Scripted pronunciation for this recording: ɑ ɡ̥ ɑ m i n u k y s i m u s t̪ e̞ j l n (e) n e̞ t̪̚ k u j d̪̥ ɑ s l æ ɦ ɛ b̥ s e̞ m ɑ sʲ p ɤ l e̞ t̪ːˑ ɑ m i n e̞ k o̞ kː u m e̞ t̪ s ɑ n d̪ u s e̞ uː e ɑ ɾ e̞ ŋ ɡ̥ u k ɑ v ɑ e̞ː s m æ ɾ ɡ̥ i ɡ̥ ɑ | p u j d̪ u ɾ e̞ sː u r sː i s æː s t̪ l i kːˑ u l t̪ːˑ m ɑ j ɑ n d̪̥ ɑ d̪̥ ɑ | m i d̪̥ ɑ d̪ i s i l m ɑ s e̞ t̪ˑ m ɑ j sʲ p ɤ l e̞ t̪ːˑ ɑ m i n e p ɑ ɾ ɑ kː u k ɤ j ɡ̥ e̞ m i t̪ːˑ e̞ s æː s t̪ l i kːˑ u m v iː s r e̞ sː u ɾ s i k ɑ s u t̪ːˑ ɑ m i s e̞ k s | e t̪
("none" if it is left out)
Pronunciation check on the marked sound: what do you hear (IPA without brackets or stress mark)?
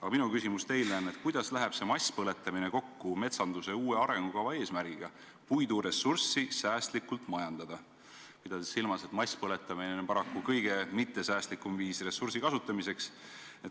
æ